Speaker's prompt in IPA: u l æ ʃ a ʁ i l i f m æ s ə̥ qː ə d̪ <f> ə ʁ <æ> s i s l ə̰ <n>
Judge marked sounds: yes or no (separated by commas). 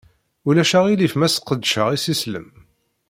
no, no, no